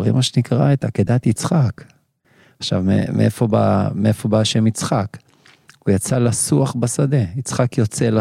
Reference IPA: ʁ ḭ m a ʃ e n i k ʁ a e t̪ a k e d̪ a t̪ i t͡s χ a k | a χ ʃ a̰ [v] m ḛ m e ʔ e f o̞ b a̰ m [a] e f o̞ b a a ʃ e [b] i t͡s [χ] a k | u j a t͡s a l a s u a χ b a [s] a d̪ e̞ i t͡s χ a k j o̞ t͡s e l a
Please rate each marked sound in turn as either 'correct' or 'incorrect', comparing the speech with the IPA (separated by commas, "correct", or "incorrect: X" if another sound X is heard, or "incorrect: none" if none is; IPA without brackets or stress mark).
correct, incorrect: e, incorrect: m, correct, correct